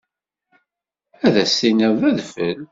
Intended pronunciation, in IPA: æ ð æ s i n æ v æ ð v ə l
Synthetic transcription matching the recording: æ ð æ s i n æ v æ ð f ə l